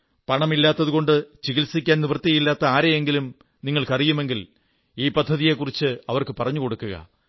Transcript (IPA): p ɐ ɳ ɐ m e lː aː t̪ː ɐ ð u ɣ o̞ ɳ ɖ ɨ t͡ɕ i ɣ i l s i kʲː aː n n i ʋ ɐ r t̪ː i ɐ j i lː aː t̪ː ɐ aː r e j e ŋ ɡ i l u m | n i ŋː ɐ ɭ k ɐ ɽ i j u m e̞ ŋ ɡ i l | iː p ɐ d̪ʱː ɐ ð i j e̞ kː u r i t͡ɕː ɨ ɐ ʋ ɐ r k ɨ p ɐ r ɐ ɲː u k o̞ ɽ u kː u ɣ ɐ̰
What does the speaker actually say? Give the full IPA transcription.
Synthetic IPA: p ɐ ɳ ɐ m i lː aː t̪ː ɐ ð u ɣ o̞ ɳ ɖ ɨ t͡ɕ i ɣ i l s i kʲː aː n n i ʋ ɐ r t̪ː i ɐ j i lː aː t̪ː ɐ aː ɾ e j e ŋ ɡ i l u m | n i ŋː ɐ ɭ k ɐ r i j u m e̞ ŋ ɡ i l | iː p ɐ d̪ʱː ɐ ð i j e̞ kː u r i t͡ɕː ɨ ɐ ʋ ɐ r k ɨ p ɐ r ɐ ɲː u k o̞ ɽ u kː u ɣ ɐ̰

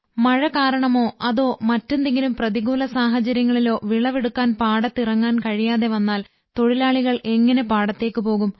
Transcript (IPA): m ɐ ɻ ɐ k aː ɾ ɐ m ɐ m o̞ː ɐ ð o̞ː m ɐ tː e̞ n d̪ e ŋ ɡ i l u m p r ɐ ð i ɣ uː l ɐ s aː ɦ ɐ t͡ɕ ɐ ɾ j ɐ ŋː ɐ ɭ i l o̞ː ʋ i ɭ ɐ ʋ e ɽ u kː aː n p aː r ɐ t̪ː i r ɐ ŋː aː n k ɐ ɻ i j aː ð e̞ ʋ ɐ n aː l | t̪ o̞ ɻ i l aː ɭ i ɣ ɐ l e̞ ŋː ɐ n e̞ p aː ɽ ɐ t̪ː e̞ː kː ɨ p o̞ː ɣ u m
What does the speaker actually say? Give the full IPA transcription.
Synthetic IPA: m ɐ ɻ ɐ k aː ɾ ɐ ɳ ɐ m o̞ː ɐ ð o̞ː m ɐ tː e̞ n d̪ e ŋ ɡ i l u m p r ɐ ð i ɣ uː l ɐ s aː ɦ ɐ t͡ɕ ɐ ɾ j ɐ ŋː ɐ ɭ i l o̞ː ʋ i ɭ ɐ ʋ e ɽ u kː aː n p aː ɽ ɐ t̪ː i r ɐ ŋː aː n k ɐ ɻ i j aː ð e̞ ʋ ɐ nː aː l | t̪ o̞ ɻ i l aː ɭ i ɣ ɐ ɭ e̞ ŋː ɐ n e̞ p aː ɽ ɐ t̪ː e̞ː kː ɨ p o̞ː ɣ u m

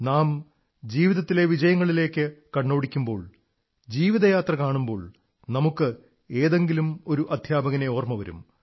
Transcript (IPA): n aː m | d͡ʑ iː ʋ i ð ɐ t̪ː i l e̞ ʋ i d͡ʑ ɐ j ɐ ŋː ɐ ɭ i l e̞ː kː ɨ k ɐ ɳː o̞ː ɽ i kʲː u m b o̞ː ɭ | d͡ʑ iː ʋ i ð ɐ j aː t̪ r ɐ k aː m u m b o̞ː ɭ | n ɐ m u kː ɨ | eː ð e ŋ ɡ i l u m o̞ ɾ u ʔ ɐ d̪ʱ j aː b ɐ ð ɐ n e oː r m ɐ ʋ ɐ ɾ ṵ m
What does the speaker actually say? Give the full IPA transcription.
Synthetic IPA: n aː m | d͡ʑ iː ʋ i ð ɐ t̪ː i l e̞ ʋ i d͡ʑ ɐ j ɐ ŋː ɐ ɭ i l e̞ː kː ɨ k ɐ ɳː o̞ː ɽ i kʲː u m b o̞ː ɭ | d͡ʑ iː ʋ i ð ɐ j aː t̪ r ɐ k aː ɳ u m b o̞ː ɭ | n ɐ m u kː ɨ | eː ð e ŋ ɡ i l u m o̞ ɾ u ʔ ɐ d̪ʱ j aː b ɐ ɣ ɐ n e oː r m ɐ ʋ ɐ ɾ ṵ m

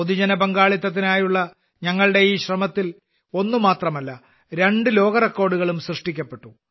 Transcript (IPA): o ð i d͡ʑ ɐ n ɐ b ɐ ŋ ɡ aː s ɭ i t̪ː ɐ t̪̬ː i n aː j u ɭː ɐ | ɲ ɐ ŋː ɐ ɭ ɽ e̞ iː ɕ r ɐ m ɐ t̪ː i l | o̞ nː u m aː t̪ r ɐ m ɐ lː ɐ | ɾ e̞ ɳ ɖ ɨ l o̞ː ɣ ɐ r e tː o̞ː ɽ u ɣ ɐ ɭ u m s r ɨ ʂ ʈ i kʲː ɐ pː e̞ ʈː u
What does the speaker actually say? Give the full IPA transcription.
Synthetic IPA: o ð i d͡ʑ ɐ n ɐ b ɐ ŋ ɡ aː ɭ i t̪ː ɐ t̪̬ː i n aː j u ɭː ɐ | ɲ ɐ ŋː ɐ ɭ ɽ e̞ iː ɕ r ɐ m ɐ t̪ː i l | o̞ nː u m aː t̪ r ɐ m ɐ lː ɐ | ɾ e̞ ɳ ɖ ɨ l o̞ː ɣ ɐ r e kː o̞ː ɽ u ɣ ɐ ɭ u m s r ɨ ʂ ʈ i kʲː ɐ pː e̞ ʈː u

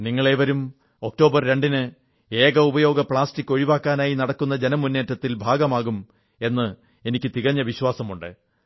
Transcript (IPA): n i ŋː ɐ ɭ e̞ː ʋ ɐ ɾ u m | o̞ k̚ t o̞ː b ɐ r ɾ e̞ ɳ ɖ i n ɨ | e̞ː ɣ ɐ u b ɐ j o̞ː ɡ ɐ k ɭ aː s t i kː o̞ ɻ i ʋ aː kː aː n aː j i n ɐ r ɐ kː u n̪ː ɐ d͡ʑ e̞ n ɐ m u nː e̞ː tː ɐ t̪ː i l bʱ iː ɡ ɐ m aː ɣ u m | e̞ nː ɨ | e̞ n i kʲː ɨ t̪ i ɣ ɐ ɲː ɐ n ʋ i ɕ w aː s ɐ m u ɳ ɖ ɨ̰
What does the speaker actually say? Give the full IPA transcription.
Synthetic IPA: n i ŋː ɐ ɭ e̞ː ʋ ɐ ɾ u m | o̞ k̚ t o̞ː b ɐ r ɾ e̞ ɳ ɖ i n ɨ | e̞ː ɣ ɐ u b ɐ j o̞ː ɡ ɐ p ɭ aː s t i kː o̞ ɻ i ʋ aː kː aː n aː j i n ɐ ɽ ɐ kː u n̪ː ɐ d͡ʑ e̞ n ɐ m u nː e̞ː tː ɐ t̪ː i l bʱ aː ɡ ɐ m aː ɣ u m | e̞ nː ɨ | e̞ n i kʲː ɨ t̪ i ɣ ɐ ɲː ɐ ʋ i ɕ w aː s ɐ m u ɳ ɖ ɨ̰

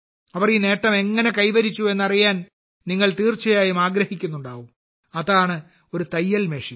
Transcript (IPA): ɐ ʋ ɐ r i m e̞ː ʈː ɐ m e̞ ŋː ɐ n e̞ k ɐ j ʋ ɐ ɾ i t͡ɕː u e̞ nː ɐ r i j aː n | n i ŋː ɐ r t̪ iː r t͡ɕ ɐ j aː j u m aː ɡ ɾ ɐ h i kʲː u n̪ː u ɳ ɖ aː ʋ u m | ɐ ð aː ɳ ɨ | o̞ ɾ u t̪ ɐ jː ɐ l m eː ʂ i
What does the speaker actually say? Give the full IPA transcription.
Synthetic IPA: ɐ ʋ ɐ r i n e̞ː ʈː ɐ m e̞ ŋː ɐ n e̞ k ɐ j ʋ ɐ ɾ i t͡ɕː u e̞ nː ɐ r i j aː n | n i ŋː ɐ ɭ t̪ iː r t͡ɕ ɐ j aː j u m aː ɡ ɾ ɐ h i kʲː u n̪ː u ɳ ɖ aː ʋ u m | ɐ ð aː ɳ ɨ | o̞ ɾ u t̪ ɐ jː ɐ l m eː ʂ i

